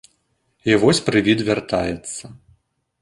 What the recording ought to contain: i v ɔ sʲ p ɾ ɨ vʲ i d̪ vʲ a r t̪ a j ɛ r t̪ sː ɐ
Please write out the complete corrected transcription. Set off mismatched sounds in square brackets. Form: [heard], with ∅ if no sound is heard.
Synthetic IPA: i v ɔ sʲ p ɾ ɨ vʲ i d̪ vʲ a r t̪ a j ɛ [∅] t̪ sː ɐ